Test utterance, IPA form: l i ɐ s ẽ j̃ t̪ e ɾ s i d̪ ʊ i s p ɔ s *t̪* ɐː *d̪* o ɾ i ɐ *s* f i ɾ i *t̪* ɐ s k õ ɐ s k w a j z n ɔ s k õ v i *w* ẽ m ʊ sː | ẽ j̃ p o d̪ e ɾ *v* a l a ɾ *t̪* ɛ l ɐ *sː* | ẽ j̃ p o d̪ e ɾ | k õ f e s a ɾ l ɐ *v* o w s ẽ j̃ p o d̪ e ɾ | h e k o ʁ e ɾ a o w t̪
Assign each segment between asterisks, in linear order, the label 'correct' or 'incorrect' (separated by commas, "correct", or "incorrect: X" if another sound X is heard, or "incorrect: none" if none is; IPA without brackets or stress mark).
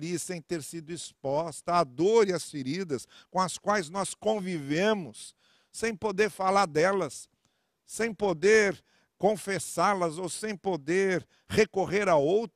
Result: correct, correct, correct, incorrect: d̪, incorrect: v, incorrect: f, incorrect: d̪, correct, incorrect: z